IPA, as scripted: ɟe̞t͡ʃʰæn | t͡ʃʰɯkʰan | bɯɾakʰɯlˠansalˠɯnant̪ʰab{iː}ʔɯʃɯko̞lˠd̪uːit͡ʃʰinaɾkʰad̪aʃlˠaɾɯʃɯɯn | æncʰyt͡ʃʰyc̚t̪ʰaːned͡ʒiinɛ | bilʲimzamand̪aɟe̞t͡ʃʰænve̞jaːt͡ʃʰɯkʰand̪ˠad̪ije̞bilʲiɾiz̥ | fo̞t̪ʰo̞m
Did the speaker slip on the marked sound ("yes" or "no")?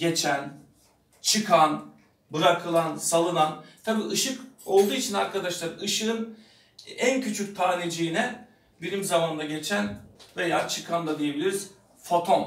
no